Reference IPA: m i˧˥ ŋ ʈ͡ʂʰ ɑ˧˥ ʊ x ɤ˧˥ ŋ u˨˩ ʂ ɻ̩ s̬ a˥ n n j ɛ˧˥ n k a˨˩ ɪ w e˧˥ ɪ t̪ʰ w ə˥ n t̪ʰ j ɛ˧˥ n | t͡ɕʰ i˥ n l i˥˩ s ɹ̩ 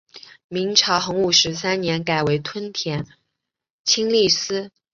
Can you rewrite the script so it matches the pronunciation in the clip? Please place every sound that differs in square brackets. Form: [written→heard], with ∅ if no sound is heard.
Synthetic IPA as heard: m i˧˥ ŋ ʈ͡ʂʰ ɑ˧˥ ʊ x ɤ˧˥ ŋ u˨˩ ʂ ɻ̩ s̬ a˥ n n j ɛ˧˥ n k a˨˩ ɪ w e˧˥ ɪ t̪ʰ w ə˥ n t̪ʰ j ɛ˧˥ n | t͡ɕʰ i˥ [n→ŋ] l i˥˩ s ɹ̩